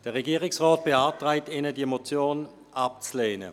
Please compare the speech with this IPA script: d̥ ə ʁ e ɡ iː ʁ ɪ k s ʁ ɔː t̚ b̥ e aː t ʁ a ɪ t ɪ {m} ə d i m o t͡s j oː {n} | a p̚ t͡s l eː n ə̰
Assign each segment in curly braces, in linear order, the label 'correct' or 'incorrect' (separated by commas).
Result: incorrect, correct